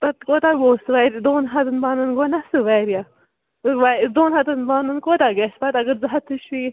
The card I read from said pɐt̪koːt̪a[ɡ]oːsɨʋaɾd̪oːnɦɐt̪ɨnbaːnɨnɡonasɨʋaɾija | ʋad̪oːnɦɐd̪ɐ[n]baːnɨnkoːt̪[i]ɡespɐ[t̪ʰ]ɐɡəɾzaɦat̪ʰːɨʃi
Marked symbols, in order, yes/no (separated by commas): yes, yes, no, no